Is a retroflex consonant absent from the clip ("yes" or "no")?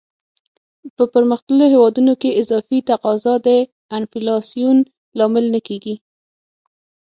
yes